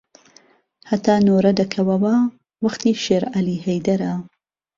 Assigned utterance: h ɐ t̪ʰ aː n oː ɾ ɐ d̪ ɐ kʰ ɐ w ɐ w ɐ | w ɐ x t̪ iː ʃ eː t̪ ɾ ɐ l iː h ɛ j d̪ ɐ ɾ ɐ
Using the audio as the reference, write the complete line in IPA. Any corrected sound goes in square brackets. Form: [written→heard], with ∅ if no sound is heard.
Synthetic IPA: h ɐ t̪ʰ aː n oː ɾ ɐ d̪ ɐ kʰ ɐ w ɐ w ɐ | w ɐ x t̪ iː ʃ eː [t̪→∅] ɾ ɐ l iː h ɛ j d̪ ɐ ɾ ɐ